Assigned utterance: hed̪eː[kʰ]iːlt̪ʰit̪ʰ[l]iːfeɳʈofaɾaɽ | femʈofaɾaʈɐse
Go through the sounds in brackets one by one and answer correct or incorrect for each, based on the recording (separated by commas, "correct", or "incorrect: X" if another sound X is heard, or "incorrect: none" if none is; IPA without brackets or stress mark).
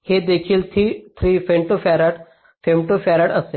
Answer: correct, incorrect: ɾ